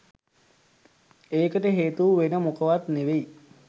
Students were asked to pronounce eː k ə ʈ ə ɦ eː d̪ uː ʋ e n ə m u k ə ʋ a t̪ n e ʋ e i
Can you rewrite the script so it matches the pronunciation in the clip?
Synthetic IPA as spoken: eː k ə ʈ ə ɦ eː t̪ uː ʋ e n ə m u k ə ʋ a t̪ n e ʋ e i